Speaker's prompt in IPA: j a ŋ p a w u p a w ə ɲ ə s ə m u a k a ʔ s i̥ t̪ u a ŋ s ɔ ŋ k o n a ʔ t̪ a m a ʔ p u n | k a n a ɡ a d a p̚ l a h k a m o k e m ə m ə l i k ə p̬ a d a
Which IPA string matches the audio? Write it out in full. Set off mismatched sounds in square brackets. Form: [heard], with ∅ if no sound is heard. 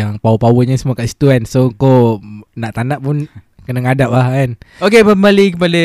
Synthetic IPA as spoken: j a ŋ p a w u p a w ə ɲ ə s ə m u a k a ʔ s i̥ t̪ u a [n] s [o] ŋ k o n a ʔ t̪ a [n] a ʔ p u n | k [ə] n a [ŋ] a d a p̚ l a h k a [n] o k e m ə m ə l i k ə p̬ a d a